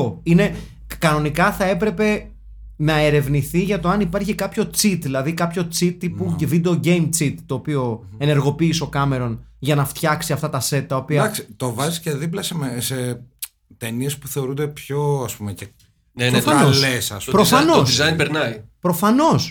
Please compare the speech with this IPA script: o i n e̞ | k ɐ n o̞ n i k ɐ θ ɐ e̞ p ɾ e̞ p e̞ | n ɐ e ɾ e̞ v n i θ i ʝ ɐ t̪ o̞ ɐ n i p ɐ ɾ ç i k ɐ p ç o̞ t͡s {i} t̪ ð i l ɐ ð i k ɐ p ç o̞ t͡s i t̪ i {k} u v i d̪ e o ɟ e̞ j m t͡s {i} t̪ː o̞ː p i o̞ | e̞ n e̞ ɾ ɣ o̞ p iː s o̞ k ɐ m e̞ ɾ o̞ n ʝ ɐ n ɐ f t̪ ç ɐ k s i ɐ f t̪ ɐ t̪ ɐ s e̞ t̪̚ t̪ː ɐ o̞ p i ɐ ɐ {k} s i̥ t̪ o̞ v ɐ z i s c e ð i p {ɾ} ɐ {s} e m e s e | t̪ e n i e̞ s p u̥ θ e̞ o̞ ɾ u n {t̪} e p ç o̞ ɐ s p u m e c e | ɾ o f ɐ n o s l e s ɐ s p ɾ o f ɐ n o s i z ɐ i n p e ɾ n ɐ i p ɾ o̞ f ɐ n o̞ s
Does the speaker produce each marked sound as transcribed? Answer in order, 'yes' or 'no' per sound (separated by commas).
yes, no, yes, yes, no, yes, no